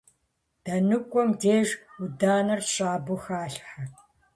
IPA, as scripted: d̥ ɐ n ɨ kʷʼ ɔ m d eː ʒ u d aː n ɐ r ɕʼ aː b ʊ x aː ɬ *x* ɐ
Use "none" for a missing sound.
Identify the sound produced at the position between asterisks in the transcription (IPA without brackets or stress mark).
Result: ħ